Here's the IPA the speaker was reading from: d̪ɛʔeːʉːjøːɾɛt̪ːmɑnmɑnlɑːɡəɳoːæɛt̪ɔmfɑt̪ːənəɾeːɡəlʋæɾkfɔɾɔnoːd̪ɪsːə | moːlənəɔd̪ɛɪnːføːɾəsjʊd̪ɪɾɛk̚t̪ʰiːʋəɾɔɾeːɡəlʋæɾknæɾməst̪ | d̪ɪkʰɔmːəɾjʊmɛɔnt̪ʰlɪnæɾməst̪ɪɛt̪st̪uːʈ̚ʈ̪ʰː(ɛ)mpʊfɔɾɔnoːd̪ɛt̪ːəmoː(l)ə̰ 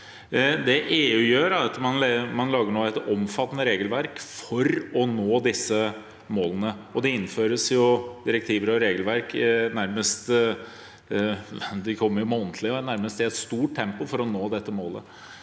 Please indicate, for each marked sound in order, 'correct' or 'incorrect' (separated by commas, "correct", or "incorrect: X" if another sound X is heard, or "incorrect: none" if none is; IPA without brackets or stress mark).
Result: correct, correct